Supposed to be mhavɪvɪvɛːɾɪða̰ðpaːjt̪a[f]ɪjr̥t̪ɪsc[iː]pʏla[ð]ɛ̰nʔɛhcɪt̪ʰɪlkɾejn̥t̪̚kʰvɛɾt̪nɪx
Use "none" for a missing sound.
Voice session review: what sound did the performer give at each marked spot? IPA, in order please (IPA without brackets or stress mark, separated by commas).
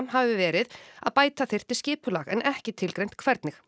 θ, ɪː, ɣ